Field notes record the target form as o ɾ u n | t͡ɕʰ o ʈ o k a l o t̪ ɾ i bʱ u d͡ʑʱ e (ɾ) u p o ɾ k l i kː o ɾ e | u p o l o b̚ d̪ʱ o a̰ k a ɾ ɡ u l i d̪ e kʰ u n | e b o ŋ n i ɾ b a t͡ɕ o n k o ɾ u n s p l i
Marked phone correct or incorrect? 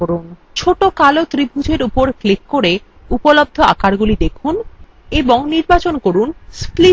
correct